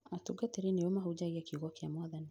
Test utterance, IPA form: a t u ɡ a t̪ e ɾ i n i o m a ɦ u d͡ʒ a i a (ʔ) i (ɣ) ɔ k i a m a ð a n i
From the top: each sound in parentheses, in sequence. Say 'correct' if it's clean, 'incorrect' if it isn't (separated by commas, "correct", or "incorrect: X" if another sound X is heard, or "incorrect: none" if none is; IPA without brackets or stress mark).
incorrect: k, correct